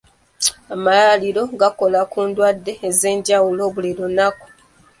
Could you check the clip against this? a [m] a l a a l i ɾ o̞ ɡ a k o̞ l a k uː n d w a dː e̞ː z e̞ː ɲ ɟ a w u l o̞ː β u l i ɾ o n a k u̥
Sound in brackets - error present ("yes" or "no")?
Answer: no